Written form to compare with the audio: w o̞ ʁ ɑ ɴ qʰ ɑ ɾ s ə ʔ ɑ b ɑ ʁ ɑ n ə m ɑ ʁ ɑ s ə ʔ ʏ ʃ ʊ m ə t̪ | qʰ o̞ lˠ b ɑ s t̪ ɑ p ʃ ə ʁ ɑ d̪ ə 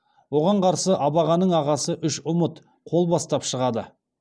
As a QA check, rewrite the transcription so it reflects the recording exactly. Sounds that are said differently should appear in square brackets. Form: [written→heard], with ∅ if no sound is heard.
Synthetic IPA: w o̞ ʁ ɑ ɴ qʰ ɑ ɾ s ə ʔ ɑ b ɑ ʁ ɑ n ə [m→ɴ] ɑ ʁ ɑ s ə ʔ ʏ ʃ ʊ m ə t̪ | qʰ o̞ lˠ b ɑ s t̪ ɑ p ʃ ə ʁ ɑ d̪ ə